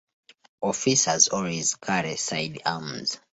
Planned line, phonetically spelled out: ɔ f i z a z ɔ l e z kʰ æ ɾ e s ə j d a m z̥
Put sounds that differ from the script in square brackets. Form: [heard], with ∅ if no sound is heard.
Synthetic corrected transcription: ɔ f i [s] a z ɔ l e z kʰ [a] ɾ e s [a] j d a m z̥